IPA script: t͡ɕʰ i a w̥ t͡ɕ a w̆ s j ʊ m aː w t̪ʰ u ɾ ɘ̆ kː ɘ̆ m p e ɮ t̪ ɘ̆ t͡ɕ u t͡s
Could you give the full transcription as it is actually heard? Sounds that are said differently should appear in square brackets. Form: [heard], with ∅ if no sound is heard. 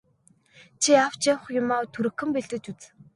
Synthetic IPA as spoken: t͡ɕʰ i a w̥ t͡ɕ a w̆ [χ] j ʊ m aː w t̪ʰ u ɾ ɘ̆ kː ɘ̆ m p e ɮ t̪ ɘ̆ t͡ɕ u t͡s